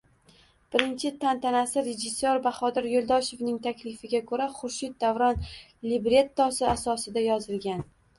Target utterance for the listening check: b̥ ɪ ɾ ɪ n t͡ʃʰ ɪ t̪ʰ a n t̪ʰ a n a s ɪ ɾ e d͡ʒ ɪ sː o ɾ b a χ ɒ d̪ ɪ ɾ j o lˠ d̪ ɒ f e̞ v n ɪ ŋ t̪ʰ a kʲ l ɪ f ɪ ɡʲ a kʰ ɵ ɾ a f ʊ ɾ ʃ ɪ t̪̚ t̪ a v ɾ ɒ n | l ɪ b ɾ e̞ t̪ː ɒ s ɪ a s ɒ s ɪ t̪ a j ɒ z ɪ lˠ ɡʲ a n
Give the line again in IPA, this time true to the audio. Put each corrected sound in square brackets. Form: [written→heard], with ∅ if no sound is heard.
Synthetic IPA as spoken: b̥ ɪ ɾ ɪ n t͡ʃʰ ɪ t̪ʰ a n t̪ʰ a n a s ɪ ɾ e d͡ʒ ɪ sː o ɾ b a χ ɒ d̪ ɪ ɾ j o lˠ d̪ ɒ [f→ʃ] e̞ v n ɪ ŋ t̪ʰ a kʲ l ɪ f ɪ ɡʲ a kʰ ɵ ɾ a [f→χ] ʊ ɾ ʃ ɪ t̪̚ [t̪→d̪] a v ɾ ɒ n | l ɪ b ɾ e̞ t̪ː ɒ s ɪ a s ɒ s ɪ [t̪→d̪] a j ɒ z ɪ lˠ ɡʲ a n

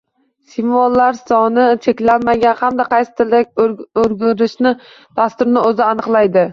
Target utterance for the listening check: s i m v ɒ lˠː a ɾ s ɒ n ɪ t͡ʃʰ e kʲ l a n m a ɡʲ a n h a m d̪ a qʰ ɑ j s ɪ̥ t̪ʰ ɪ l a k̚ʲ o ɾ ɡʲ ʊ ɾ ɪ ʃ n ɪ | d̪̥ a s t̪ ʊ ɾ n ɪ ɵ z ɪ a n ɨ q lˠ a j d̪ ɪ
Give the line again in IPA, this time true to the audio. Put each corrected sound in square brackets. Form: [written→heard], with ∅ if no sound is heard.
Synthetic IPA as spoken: s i m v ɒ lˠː a ɾ s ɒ n ɪ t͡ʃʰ e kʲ l a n m a ɡʲ a n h a m d̪ a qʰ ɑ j s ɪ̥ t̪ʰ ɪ l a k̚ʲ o ɾ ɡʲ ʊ ɾ ɪ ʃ n ɪ | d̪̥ a s t̪ ʊ ɾ n ɪ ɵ z ɪ a n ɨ q lˠ a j d̪ ɪ

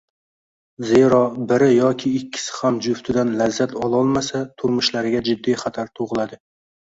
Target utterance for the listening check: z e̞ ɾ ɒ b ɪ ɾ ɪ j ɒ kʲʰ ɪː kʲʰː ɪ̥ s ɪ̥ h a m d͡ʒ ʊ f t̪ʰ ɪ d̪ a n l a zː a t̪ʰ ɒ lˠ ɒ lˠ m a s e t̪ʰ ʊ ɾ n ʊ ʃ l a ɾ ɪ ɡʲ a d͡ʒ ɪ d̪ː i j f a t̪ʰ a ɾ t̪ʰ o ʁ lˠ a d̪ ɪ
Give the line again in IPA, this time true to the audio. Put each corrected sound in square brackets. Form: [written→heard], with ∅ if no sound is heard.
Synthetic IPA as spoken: z e̞ ɾ ɒ b ɪ ɾ ɪ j ɒ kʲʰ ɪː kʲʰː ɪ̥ s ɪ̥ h a m d͡ʒ ʊ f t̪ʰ ɪ d̪ a n l a zː a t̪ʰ ɒ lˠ ɒ lˠ m a s [e→a] t̪ʰ ʊ ɾ [n→m] ʊ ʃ l a ɾ ɪ ɡʲ a d͡ʒ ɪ d̪ː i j [f→χ] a t̪ʰ a ɾ t̪ʰ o ʁ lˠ a d̪ ɪ

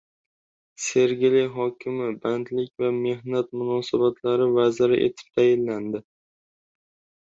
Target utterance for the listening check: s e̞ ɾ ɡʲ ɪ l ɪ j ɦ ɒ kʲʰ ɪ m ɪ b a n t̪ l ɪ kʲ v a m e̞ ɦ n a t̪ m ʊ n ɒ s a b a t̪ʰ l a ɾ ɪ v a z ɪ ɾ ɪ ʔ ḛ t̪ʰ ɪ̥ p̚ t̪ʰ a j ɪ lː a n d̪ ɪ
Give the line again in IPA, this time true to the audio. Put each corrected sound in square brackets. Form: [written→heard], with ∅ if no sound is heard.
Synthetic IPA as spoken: s e̞ ɾ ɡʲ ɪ l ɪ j ɦ ɒ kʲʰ ɪ m ɪ b a n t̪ l ɪ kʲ v a m e̞ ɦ n a t̪ m ʊ n ɒ s a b a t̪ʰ l a ɾ ɪ v a z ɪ ɾ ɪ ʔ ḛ t̪ʰ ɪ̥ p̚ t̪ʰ a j ɪ lː a n d̪ ɪ

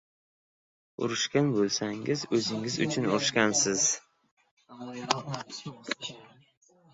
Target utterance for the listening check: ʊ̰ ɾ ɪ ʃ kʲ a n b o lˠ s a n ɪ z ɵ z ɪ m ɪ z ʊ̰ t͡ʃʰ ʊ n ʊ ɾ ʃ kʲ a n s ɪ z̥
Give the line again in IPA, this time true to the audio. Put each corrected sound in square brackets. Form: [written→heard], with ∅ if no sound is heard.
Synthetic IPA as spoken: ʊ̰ ɾ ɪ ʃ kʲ a n b o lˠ s a [n→ŋ] ɪ z ɵ z ɪ [m→ŋ] ɪ z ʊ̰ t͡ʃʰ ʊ n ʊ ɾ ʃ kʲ a n s ɪ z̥

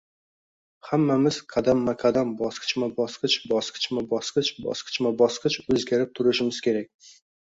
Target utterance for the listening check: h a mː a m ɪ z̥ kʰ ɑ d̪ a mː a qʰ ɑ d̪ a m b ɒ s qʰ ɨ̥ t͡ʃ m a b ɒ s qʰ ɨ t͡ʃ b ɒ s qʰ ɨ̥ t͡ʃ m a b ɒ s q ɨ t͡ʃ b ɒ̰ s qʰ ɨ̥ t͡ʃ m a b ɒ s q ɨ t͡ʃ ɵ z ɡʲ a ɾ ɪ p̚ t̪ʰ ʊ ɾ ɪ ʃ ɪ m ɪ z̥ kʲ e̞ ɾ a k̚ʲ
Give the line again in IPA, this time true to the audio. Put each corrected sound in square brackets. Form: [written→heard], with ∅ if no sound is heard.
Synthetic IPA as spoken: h a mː a m ɪ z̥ [kʰ→qʰ] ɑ d̪ a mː a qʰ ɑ d̪ a m b ɒ s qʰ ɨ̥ t͡ʃ m a b ɒ s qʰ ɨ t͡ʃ b ɒ s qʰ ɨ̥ t͡ʃ m a b ɒ s q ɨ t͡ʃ b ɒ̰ s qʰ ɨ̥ t͡ʃ m a b ɒ s q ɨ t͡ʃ ɵ z ɡʲ a ɾ ɪ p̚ t̪ʰ ʊ ɾ ɪ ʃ ɪ m ɪ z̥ kʲ e̞ ɾ a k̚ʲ

